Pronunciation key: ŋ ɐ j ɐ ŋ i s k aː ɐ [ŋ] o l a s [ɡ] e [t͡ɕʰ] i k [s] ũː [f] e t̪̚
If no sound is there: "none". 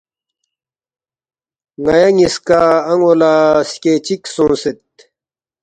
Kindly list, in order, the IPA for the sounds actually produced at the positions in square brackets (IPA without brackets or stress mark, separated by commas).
ŋ, k, t͡ɕ, s, s